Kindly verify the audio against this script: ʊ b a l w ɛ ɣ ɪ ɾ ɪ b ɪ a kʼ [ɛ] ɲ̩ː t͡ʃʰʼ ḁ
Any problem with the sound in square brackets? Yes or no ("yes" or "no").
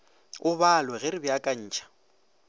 yes